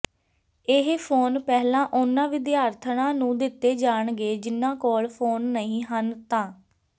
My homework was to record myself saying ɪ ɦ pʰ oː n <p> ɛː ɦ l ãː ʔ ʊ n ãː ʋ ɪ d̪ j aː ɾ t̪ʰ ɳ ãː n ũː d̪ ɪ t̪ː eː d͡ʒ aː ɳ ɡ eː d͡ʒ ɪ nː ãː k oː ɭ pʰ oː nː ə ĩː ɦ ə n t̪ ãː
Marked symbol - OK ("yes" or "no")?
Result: yes